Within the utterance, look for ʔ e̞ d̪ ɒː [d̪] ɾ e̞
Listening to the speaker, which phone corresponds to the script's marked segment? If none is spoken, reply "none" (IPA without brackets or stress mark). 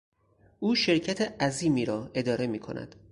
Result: none